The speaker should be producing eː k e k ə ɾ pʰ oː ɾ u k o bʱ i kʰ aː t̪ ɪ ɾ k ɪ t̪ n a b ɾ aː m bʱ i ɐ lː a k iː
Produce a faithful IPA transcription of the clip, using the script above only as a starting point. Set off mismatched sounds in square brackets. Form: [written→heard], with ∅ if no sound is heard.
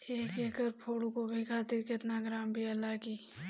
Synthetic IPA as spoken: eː k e k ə ɾ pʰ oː [ɾ→ɽ] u k o bʱ i kʰ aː t̪ ɪ ɾ k ɪ t̪ n a [b→ɡ] ɾ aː m bʱ i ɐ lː a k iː